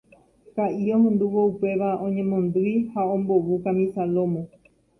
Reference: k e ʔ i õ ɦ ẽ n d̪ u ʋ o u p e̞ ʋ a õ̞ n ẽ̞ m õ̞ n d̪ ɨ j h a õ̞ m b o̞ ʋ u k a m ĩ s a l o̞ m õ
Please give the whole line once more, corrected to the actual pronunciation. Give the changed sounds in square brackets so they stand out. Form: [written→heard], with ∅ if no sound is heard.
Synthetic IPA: k [e→a] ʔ i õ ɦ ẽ n d̪ u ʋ o u p e̞ ʋ a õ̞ [n→ɲ] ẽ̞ m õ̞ n d̪ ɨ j h a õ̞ m b o̞ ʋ u k a m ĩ s a l o̞ m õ